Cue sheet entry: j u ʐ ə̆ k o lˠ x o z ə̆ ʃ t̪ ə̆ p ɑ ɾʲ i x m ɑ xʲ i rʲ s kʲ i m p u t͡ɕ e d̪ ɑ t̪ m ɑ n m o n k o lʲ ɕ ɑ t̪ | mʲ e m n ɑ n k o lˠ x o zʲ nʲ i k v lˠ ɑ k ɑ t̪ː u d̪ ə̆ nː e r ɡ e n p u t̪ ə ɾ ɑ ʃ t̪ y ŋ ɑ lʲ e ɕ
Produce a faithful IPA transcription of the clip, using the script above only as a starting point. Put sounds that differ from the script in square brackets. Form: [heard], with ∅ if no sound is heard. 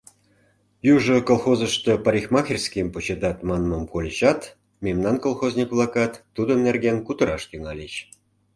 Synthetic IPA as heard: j u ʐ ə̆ k o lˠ x o z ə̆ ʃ t̪ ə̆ p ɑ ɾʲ i x m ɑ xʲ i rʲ s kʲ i m p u t͡ɕ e d̪ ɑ t̪ m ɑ n m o [m] k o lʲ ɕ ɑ t̪ | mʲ e m n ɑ n k o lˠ x o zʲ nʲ i k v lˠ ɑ k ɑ t̪ː u d̪ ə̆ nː e r ɡ e n [k] u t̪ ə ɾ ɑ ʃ t̪ y ŋ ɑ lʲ e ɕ